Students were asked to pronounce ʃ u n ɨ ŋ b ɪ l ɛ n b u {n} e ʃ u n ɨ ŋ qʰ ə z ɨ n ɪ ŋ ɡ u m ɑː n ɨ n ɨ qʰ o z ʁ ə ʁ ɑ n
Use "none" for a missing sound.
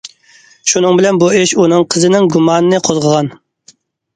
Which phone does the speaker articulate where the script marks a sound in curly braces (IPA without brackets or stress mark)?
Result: none